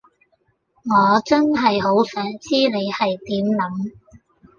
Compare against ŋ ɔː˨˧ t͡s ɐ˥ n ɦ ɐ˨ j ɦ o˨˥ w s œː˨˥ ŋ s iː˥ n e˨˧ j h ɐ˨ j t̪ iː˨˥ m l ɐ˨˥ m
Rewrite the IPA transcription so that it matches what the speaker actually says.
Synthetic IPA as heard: ŋ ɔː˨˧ t͡s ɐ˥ n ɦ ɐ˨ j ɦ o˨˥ w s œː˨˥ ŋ t͡s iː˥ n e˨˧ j h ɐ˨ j t̪ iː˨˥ m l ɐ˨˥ m